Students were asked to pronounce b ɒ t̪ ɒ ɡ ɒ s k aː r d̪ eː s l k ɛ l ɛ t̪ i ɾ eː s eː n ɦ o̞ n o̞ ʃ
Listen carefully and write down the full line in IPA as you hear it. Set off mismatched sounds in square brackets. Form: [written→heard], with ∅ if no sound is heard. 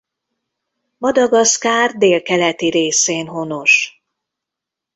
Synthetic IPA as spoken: [b→m] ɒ [t̪→d̪] ɒ ɡ ɒ s k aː r d̪ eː [s→∅] l k ɛ l ɛ t̪ i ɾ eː s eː n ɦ o̞ n o̞ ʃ